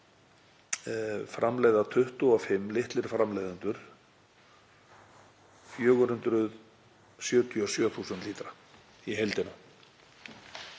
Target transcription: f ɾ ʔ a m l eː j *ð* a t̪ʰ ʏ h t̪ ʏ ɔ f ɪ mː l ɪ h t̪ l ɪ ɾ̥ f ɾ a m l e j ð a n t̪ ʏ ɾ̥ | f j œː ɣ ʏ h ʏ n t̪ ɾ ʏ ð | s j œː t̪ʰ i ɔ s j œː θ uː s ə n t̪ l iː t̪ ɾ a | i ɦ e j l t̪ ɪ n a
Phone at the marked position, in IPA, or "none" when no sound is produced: ð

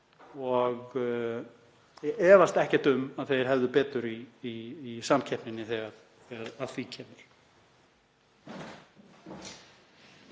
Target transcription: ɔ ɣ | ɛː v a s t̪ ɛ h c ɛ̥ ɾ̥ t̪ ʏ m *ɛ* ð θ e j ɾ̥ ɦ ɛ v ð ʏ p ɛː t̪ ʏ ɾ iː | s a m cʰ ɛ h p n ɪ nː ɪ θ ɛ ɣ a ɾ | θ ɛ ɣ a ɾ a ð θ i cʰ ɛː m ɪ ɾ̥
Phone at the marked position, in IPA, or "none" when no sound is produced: a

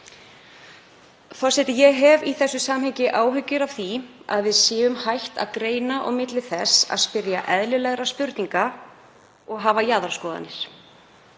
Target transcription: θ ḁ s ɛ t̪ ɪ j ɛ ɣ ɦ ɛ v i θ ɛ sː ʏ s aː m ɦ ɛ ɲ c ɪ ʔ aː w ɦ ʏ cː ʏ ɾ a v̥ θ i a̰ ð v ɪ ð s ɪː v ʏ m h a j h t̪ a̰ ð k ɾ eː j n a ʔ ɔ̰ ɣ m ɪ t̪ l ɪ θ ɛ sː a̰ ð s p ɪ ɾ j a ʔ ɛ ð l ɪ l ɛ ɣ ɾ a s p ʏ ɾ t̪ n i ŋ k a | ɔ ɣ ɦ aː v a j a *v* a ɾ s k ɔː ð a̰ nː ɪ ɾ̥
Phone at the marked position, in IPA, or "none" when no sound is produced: ð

